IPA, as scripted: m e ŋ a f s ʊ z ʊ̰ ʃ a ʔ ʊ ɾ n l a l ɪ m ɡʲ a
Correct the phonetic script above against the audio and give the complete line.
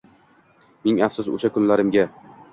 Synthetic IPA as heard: m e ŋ a f s ʊ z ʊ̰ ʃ a k ʊ n l a ɾ ɪ m ɡʲ a